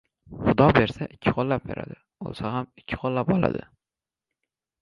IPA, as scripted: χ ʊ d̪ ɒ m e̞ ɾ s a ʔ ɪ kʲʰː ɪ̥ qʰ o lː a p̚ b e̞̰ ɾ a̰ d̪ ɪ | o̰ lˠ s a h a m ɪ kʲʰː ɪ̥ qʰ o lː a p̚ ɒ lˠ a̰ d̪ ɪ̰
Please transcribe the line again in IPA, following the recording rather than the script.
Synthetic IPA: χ ʊ d̪ ɒ b e̞ ɾ s a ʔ ɪ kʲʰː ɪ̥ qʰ o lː a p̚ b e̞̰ ɾ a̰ d̪ ɪ | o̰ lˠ s a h a m ɪ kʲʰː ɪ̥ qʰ o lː a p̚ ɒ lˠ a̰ d̪ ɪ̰

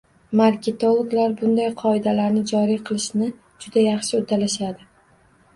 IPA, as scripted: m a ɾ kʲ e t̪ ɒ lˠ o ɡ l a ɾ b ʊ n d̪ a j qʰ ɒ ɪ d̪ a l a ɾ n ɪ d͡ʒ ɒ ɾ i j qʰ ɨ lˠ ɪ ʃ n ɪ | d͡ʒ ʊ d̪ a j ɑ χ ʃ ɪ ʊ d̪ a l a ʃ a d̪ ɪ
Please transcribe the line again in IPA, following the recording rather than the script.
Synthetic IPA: m a ɾ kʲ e t̪ o lˠ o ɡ l a ɾ b ʊ n d̪ a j qʰ ɒ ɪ d̪ a l a ɾ n ɪ d͡ʒ ɒ ɾ i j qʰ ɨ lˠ ɪ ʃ n ɪ | d͡ʒ ʊ d̪ a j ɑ χ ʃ ɪ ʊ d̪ a l a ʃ a d̪ ɪ

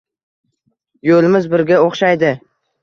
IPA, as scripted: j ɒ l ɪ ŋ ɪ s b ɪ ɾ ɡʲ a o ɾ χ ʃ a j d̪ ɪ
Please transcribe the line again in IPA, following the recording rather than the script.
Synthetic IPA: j o l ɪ m ɪ z b ɪ ɾ ɡʲ a o χ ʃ a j d̪ ɪ

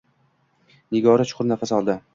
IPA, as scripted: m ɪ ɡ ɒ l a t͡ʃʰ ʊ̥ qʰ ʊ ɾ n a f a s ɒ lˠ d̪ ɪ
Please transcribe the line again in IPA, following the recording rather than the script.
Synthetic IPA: n ɪ ɡ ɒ ɾ a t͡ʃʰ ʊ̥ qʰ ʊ ɾ n a f a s ɒ lˠ d̪ ɪ

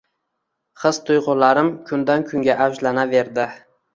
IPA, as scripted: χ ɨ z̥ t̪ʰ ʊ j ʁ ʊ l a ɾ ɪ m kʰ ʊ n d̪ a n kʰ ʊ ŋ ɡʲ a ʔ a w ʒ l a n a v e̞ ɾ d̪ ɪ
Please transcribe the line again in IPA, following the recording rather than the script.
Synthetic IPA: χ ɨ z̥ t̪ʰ ʊ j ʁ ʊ l a ɾ ɪ m kʰ ʊ n d̪ a n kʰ ʊ ŋ ɡʲ a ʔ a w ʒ l a n a v e̞ ɾ d̪ ɪ

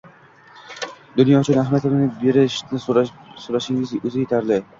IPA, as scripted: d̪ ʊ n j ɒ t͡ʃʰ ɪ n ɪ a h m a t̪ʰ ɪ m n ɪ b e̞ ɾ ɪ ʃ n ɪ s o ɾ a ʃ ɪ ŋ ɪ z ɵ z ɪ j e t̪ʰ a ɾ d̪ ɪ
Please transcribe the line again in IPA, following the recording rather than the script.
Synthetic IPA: d̪ ʊ n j ɒ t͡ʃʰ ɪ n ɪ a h m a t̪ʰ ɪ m n ɪ b e̞ ɾ ɪ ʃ n ɪ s o ɾ a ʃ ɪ ŋ ɪ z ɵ z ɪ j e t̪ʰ a ɾ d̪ ɪ

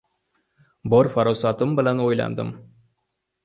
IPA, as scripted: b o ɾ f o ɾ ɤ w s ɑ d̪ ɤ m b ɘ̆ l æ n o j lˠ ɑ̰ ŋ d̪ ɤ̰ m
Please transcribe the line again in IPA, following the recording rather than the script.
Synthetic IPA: b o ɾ f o ɾ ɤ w s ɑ t̪ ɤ m b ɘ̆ l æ n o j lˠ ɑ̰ n d̪ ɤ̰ m

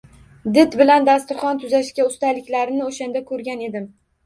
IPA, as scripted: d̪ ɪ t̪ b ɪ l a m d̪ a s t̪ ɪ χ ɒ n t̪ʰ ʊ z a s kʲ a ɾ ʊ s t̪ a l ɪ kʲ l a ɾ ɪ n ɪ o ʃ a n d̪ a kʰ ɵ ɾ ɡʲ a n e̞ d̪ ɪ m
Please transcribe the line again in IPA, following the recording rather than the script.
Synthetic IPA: d̪ ɪ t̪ b ɪ l a n d̪ a s t̪ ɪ χ ɒ n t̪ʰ ʊ z a ʃ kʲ a ʊ s t̪ a l ɪ kʲ l a ɾ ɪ n ɪ o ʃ a n d̪ a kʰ ɵ ɾ ɡʲ a n e̞ d̪ ɪ m

